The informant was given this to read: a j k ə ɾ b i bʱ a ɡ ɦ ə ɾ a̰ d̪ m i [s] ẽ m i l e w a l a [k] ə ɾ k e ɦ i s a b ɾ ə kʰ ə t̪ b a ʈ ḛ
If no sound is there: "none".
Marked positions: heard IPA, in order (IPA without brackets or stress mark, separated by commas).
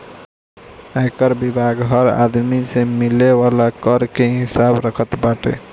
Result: s, k